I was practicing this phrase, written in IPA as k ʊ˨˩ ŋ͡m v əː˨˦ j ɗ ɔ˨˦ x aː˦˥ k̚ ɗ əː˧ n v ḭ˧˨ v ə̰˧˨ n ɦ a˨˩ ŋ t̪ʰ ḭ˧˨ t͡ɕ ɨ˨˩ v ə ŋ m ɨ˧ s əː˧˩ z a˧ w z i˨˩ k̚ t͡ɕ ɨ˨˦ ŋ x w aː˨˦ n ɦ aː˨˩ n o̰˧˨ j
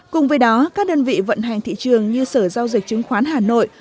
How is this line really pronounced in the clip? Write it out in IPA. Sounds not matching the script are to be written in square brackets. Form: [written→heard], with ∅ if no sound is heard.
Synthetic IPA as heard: k ʊ˨˩ ŋ͡m v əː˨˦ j ɗ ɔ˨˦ [x→k] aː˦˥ k̚ ɗ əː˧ n v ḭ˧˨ v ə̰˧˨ n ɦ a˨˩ ŋ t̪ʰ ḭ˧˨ t͡ɕ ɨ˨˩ [v→∅] ə ŋ [m→ɲ] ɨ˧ s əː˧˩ z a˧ w z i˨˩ k̚ t͡ɕ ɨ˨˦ ŋ x w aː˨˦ n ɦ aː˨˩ n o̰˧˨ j